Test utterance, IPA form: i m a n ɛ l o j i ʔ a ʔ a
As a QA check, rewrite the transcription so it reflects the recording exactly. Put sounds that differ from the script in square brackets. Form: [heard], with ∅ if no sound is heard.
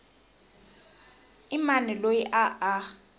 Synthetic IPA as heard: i m a n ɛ l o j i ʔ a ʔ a